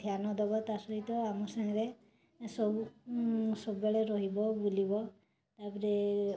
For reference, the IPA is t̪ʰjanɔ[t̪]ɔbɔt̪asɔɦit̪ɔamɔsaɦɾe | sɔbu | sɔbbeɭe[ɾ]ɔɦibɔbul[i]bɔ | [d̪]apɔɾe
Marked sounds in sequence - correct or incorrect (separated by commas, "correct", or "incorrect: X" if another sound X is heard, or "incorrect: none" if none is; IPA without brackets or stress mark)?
incorrect: d̪, correct, correct, incorrect: t̪